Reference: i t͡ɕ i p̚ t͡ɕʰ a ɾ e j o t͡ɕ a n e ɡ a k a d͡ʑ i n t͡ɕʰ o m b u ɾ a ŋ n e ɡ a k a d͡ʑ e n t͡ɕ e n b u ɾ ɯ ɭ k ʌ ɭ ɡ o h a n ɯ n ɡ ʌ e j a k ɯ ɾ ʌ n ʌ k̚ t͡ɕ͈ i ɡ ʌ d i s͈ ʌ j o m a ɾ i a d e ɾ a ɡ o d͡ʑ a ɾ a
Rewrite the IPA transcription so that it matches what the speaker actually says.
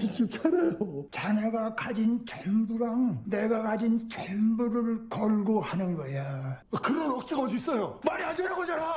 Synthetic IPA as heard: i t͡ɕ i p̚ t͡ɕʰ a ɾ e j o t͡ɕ a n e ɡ a k a d͡ʑ i n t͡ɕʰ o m b u ɾ a ŋ n e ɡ a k a d͡ʑ i n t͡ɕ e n b u ɾ ɯ ɭ k ʌ ɭ ɡ o h a n ɯ n ɡ ʌ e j a k ɯ ɾ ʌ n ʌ k̚ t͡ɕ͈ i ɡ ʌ d i s͈ ʌ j o m a ɾ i a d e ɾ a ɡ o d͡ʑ a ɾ a